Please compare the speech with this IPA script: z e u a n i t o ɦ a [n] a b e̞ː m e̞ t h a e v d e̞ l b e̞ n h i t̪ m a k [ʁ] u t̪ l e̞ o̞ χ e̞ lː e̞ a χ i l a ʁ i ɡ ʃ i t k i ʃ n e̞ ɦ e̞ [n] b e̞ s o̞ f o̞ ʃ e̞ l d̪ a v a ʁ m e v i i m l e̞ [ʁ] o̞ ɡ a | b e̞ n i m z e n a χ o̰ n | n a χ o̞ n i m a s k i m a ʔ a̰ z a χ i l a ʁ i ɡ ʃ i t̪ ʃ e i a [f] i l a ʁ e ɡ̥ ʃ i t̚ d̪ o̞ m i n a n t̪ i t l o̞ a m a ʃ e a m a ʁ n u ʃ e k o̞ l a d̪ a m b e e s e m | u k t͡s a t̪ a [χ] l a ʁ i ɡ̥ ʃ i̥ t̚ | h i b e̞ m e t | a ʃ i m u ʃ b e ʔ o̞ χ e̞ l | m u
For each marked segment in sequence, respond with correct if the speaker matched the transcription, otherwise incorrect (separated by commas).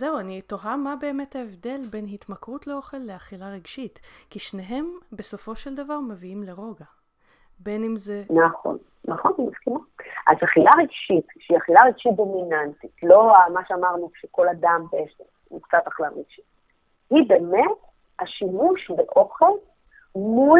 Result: incorrect, correct, incorrect, correct, incorrect, correct